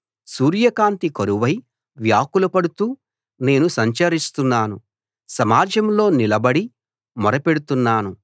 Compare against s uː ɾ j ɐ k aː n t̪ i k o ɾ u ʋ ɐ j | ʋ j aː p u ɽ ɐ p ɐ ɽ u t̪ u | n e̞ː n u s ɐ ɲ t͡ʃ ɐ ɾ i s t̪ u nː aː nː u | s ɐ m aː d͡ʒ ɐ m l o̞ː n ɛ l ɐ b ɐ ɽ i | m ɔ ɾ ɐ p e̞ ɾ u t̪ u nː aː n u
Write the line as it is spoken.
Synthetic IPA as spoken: s uː ɾ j ɐ k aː n t̪ i k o ɾ u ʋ ɐ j | ʋ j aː k u l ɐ p ɐ ɽ u t̪ uː | n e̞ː n u s ɐ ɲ t͡ʃ ɐ ɾ i s t̪ u nː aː n u | s ɐ m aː d͡ʒ ɐ m l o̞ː n i l ɐ b ɐ ɽ i | m ɔ ɾ ɐ p e̞ ɽ u t̪ u nː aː n u

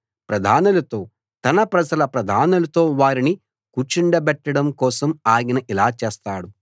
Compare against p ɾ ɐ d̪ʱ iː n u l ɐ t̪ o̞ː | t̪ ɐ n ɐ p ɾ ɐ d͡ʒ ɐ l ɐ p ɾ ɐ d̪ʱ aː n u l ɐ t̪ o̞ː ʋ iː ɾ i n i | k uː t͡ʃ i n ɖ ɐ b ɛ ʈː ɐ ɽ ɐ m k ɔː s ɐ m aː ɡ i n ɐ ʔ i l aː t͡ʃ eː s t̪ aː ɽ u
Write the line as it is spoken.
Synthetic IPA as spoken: p ɾ ɐ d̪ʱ aː n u l ɐ t̪ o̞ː | t̪ ɐ n ɐ p ɾ ɐ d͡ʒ ɐ l ɐ p ɾ ɐ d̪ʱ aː n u l ɐ t̪ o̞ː ʋ aː ɾ i n i | k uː t͡ʃ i ɳ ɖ ɐ b ɛ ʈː ɐ ɽ ɐ m k ɔː s ɐ m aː ɡ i n ɐ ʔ i l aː t͡ʃ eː s t̪ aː ɽ u

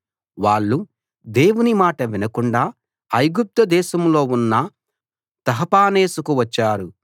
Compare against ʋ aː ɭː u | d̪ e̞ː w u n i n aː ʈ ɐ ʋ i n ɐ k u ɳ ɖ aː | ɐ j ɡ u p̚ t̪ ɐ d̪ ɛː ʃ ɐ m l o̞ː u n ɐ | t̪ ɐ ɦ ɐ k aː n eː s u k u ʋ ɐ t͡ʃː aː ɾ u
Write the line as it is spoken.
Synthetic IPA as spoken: ʋ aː ɭː u | d̪ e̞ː w u n i m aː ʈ ɐ ʋ i n ɐ k u ɳ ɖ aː | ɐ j ɡ u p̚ t̪ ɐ d̪ ɛː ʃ ɐ m l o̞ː u nː ɐ | t̪ ɐ ɦ ɐ p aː n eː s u k u ʋ ɐ t͡ʃː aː ɾ u

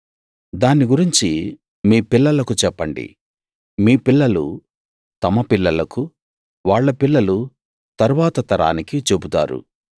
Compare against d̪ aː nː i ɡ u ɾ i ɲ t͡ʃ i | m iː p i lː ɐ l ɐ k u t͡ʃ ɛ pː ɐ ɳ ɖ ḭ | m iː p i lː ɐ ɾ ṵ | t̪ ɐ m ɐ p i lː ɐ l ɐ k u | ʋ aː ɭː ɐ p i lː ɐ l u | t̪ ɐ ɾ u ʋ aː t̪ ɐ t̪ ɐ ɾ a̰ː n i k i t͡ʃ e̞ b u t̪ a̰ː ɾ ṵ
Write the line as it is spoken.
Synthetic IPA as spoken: d̪ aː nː i ɡ u ɾ i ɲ t͡ʃ i | m iː p i lː ɐ l ɐ k u t͡ʃ ɛ pː ɐ ɳ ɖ ḭ | m iː p i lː ɐ l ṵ | t̪ ɐ m ɐ p i lː ɐ l ɐ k u | ʋ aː ɭː ɐ p i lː ɐ l u | t̪ ɐ ɾ u ʋ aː t̪ ɐ t̪ ɐ ɾ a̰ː n i k i t͡ʃ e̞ b u t̪ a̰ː ɾ ṵ

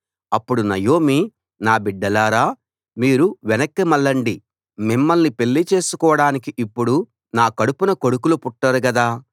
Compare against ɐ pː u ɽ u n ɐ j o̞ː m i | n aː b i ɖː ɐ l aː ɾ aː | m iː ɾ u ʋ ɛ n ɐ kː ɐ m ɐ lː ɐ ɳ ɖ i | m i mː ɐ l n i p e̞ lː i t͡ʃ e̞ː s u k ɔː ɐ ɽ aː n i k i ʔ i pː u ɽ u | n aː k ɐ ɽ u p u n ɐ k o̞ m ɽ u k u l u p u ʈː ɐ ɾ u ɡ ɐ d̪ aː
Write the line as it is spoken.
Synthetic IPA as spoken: ɐ pː u ɽ u n ɐ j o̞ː m i | n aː b i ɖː ɐ l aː ɾ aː | m iː ɾ u ʋ ɛ n ɐ kː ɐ m ɐ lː ɐ ɳ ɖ i | m i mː ɐ l n i p e̞ lː i t͡ʃ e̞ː s u k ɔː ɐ ɽ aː n i k i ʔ i pː u ɽ u | n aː k ɐ ɽ u p u n ɐ k o̞ ɽ u k u l u p u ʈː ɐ ɾ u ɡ ɐ d̪ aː

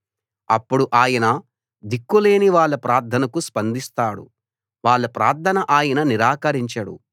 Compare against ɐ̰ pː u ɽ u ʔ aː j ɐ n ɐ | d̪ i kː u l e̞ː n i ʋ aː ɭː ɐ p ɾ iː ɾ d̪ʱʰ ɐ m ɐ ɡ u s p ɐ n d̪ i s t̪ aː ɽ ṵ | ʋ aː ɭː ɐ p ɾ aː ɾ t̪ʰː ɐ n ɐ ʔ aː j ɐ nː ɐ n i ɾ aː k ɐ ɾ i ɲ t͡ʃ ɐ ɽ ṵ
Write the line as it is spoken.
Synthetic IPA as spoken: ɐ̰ pː u ɽ u ʔ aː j ɐ n ɐ | d̪ i kː u l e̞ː n i ʋ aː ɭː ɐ p ɾ aː ɾ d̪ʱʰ ɐ n ɐ k u s p ɐ n d̪ i s t̪ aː ɽ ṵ | ʋ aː ɭː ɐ p ɾ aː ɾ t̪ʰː ɐ n ɐ ʔ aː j ɐ n ɐ n i ɾ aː k ɐ ɾ i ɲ t͡ʃ ɐ ɽ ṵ

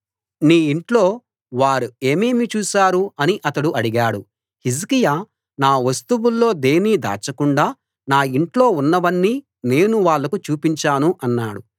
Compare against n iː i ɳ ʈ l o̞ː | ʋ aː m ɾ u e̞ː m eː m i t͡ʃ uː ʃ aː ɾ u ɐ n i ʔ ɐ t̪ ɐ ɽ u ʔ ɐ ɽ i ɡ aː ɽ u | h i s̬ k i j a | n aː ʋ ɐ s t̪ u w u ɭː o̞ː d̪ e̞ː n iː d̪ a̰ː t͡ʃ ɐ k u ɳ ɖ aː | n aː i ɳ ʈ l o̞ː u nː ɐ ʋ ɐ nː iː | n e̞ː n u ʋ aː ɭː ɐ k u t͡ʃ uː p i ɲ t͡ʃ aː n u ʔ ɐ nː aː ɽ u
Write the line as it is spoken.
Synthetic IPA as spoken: n iː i ɳ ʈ l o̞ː | ʋ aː ɾ u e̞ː m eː m i t͡ʃ uː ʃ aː ɾ u ɐ n i ʔ ɐ t̪ ɐ ɽ u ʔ ɐ ɽ i ɡ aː ɽ u | h i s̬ k i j a | n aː ʋ ɐ s t̪ u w u lː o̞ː d̪ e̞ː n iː d̪ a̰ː t͡ʃ ɐ k u ɳ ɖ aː | n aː i ɳ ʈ l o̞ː u nː ɐ ʋ ɐ nː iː | n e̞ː n u ʋ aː ɭː ɐ k u t͡ʃ uː p i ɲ t͡ʃ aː n u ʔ ɐ nː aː ɽ u

